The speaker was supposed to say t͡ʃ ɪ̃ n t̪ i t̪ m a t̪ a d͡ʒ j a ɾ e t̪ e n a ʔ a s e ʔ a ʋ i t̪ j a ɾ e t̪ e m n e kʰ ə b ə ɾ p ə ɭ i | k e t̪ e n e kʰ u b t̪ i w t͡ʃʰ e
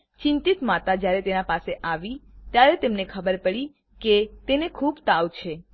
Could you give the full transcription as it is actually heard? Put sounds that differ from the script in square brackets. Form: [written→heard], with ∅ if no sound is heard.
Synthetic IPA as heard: t͡ʃ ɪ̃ n t̪ i t̪ m a t̪ a d͡ʒ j a ɾ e t̪ e n a [ʔ→p] a s e ʔ a ʋ i t̪ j a ɾ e t̪ e m n e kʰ ə b ə ɾ p ə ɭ i | k e t̪ e n e kʰ u b t̪ [i→a] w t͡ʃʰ e